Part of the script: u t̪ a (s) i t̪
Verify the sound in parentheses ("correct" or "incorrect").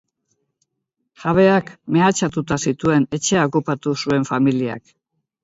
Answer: correct